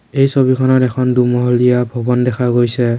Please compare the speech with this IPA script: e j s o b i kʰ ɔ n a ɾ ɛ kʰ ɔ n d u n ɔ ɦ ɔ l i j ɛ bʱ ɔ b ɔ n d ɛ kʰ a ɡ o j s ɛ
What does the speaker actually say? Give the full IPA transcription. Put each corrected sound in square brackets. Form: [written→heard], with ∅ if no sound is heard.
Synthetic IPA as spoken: e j s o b i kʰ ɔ n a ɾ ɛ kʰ ɔ n d u [n→m] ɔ ɦ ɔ l i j [ɛ→a] bʱ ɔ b ɔ n d ɛ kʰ a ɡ o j s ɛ

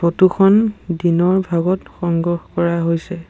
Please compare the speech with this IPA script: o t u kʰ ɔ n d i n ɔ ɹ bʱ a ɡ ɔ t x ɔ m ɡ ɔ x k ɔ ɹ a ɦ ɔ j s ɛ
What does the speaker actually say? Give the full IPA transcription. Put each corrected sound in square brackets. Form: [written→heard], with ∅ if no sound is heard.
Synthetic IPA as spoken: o t u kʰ ɔ n d i n ɔ ɹ bʱ a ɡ ɔ t x ɔ [m→ŋ] ɡ ɔ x k ɔ ɹ a ɦ [ɔ→o] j s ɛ

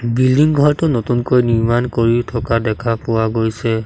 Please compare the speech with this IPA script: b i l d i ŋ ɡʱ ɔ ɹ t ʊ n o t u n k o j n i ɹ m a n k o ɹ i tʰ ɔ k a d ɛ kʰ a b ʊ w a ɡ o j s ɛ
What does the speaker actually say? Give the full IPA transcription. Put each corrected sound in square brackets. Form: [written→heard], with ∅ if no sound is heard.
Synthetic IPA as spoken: b i l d i ŋ ɡʱ ɔ ɹ t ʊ n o t u n k o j n i ɹ m a n k o ɹ i tʰ ɔ k a d ɛ kʰ a [b→p] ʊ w a ɡ o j s ɛ

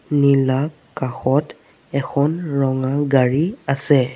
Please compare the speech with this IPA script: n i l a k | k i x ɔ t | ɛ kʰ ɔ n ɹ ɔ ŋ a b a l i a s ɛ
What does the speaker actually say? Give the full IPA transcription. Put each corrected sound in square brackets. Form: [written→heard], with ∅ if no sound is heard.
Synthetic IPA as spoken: n i l a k | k [i→a] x ɔ t | ɛ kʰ ɔ n ɹ ɔ ŋ a [b→ɡ] a [l→ɹ] i a s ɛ

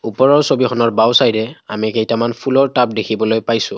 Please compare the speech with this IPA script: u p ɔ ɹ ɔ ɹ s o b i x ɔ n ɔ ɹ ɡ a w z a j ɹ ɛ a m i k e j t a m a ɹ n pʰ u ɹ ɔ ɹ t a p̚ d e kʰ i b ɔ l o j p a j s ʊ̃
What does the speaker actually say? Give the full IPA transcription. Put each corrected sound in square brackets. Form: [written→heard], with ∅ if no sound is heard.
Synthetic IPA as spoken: u p ɔ ɹ ɔ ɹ s o b i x ɔ n ɔ ɹ [ɡ→b] a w [z→s] a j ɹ ɛ a m i k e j t a m a [ɹ→∅] n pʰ u [ɹ→l] ɔ ɹ t a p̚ d e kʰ i b ɔ l o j p a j s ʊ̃

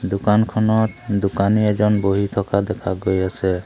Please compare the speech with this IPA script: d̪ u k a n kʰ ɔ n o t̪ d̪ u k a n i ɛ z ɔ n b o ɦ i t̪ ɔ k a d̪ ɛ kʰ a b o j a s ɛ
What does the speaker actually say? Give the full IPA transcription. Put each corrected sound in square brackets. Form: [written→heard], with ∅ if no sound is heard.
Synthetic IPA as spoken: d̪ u k a n kʰ ɔ n [o→ɔ] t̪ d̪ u k a n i ɛ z ɔ n b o ɦ i [t̪→t̪ʰ] ɔ k a d̪ ɛ kʰ a [b→ɡ] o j a s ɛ

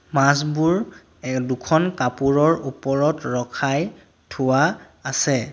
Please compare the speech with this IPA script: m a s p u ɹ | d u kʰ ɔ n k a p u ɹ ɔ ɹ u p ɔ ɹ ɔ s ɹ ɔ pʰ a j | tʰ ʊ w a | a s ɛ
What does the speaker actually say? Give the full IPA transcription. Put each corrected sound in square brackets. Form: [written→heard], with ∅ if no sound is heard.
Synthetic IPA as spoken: m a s [p→b] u ɹ | d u kʰ ɔ n k a p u ɹ ɔ ɹ u p ɔ ɹ ɔ [s→t] ɹ ɔ [pʰ→kʰ] a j | tʰ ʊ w a | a s ɛ

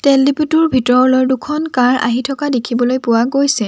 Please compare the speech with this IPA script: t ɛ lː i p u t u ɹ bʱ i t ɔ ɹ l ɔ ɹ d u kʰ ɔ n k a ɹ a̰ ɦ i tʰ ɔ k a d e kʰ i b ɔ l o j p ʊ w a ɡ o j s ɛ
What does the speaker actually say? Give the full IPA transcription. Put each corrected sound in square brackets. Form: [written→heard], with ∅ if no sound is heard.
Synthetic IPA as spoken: t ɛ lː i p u t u ɹ bʱ i t ɔ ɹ l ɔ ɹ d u kʰ ɔ n k a ɹ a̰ ɦ i tʰ ɔ k a d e kʰ i b ɔ l o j p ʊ w a ɡ o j s ɛ

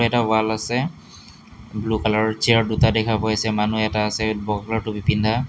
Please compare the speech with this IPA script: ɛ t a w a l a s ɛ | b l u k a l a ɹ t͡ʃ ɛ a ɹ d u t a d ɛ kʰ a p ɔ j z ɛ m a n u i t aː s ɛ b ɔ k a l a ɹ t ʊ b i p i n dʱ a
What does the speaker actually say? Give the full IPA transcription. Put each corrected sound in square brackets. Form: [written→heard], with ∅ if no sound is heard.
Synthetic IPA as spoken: ɛ t a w a l a s ɛ | b l u k a l a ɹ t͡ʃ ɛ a ɹ d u t a d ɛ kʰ a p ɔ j [z→s] ɛ m a n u [i→ɛ] t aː s ɛ b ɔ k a l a ɹ t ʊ b i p i n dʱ a

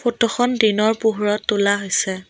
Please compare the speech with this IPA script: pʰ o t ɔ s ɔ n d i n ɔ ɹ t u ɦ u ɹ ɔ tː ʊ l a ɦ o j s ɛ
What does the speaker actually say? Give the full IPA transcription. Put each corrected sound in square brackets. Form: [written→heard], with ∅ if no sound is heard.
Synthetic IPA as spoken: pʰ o t ɔ [s→x] ɔ n d i n ɔ ɹ [t→p] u ɦ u ɹ ɔ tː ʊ l a ɦ o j s ɛ

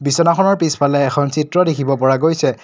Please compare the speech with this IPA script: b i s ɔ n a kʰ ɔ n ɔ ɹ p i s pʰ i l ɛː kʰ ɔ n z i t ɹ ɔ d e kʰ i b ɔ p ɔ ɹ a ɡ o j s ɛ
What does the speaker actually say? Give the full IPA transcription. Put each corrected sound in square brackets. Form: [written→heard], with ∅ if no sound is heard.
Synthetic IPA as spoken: b i s ɔ n a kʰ ɔ n ɔ ɹ p i s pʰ [i→a] l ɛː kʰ ɔ n [z→s] i t ɹ ɔ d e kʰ i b ɔ p ɔ ɹ a ɡ o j s ɛ

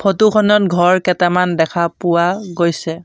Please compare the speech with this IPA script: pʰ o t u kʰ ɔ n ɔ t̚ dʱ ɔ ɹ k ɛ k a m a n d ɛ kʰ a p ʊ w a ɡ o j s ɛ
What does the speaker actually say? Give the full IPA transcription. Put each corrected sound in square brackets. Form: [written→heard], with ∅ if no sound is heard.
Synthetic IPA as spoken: pʰ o t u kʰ ɔ n ɔ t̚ [dʱ→ɡʱ] ɔ ɹ k ɛ [k→t] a m a n d ɛ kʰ a p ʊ w a ɡ o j s ɛ

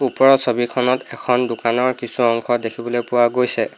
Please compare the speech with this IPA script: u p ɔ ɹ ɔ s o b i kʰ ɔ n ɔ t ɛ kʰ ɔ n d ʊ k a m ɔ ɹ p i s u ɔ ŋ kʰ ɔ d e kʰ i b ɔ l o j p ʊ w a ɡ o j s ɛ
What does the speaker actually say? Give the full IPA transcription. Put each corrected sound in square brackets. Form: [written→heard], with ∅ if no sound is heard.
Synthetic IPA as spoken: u p ɔ ɹ ɔ s o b i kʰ ɔ n ɔ t ɛ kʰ ɔ n d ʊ k a [m→n] ɔ ɹ [p→k] i s u ɔ ŋ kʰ ɔ d e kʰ i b ɔ l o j p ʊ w a ɡ o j s ɛ

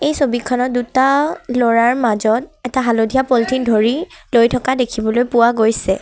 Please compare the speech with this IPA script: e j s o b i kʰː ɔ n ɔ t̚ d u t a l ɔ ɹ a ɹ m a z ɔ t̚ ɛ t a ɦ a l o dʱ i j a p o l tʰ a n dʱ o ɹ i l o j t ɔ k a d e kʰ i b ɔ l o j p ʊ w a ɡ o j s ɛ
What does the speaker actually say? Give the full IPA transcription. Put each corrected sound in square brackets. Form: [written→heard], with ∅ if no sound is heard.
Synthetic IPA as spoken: e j s o b i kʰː ɔ n ɔ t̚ d u t a l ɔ ɹ a ɹ m a z ɔ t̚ ɛ t a ɦ a l o dʱ i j a p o l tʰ [a→i] n dʱ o ɹ i l o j [t→tʰ] ɔ k a d e kʰ i b ɔ l o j p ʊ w a ɡ o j s ɛ

